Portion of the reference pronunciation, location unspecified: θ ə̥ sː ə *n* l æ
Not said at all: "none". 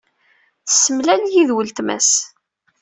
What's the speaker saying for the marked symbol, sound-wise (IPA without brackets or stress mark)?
m